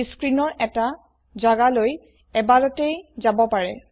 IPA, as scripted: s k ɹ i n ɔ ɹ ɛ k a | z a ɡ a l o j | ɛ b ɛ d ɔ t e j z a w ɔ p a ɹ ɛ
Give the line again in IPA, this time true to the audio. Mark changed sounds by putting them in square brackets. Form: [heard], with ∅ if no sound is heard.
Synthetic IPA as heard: s k ɹ i n ɔ ɹ ɛ [t] a | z a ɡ a l o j | ɛ b [a] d ɔ t e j z a [b] ɔ p a ɹ ɛ